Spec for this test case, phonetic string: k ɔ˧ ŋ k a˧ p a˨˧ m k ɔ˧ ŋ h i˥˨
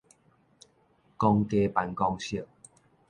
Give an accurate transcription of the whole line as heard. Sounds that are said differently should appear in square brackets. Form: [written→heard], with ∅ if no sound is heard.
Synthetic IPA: k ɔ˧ ŋ k [a˧→e˧] p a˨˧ [m→n] k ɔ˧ ŋ [h→ɕ] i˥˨